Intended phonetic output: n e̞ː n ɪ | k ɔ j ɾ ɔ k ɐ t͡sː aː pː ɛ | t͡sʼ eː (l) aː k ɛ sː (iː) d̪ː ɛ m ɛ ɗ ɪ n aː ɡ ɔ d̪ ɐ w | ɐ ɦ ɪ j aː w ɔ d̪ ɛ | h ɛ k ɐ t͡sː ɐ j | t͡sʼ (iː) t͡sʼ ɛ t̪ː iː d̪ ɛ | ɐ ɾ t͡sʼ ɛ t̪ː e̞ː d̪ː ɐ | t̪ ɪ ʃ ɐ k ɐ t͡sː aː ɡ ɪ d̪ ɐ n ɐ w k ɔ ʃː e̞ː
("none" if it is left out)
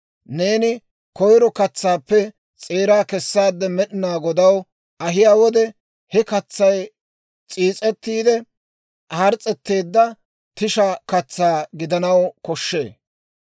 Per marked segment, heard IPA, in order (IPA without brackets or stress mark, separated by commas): ɾ, aː, iː